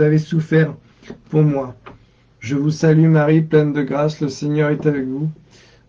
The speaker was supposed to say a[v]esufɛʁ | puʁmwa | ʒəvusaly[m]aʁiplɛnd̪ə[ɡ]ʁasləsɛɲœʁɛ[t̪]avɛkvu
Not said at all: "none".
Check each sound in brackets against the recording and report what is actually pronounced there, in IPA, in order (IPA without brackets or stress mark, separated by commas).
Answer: v, m, ɡ, t̪